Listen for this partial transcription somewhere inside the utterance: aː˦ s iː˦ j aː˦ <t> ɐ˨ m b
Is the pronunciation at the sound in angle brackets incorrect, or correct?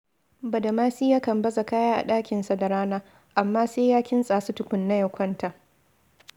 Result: incorrect